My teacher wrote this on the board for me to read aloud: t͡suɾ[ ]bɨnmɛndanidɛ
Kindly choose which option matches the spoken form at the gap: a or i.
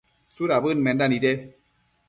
a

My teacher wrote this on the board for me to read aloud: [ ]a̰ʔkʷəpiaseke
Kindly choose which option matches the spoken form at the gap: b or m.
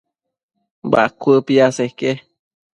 b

